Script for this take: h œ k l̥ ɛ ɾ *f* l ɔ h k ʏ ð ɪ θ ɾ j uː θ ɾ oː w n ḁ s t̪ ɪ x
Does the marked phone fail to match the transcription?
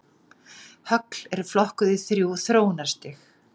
no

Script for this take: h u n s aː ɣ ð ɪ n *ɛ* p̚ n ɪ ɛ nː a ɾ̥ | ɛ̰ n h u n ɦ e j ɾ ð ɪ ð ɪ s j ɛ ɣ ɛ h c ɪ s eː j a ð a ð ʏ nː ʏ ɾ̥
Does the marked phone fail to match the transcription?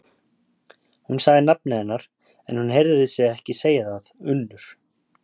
yes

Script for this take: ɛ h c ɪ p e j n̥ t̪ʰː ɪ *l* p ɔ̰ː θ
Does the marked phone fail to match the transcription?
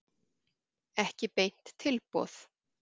no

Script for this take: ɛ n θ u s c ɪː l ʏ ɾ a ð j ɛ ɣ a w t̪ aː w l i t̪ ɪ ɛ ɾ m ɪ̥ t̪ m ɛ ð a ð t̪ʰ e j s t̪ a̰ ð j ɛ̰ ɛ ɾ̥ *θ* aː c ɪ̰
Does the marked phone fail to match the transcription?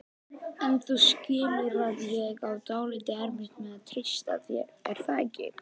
no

